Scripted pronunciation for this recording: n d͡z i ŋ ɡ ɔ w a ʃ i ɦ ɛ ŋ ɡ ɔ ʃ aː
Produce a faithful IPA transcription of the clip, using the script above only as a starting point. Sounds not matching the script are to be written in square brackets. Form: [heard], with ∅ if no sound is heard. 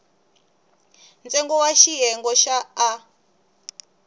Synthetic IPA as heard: n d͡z [ɛ] ŋ ɡ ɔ w a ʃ i ɦ ɛ ŋ ɡ ɔ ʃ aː